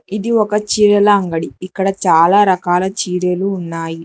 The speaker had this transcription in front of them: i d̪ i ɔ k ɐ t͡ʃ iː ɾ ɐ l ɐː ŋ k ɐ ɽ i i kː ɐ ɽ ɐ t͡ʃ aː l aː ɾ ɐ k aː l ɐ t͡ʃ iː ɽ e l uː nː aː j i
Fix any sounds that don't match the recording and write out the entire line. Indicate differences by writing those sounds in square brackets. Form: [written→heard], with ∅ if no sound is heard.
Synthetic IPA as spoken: i d̪ i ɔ k ɐ t͡ʃ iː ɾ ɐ l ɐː ŋ [k→ɡ] ɐ ɽ i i kː ɐ ɽ ɐ t͡ʃ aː l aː ɾ ɐ k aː l ɐ t͡ʃ iː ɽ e l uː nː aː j i

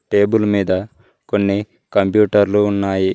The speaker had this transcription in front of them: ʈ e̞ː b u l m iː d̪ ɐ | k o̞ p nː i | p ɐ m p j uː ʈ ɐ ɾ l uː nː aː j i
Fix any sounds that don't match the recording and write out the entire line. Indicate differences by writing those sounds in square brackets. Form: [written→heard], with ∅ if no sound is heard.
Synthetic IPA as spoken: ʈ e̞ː b u l m iː d̪ ɐ | k o̞ [p→∅] nː i | [p→k] ɐ m p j uː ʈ ɐ ɾ l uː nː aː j i

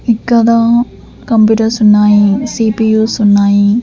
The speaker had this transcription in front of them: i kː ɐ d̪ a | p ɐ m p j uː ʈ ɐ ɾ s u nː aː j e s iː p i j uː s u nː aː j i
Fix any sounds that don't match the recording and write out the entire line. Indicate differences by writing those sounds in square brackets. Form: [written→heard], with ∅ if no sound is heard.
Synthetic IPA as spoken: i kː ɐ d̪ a | [p→k] ɐ m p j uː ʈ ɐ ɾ s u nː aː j [e→i] s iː p i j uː s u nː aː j i

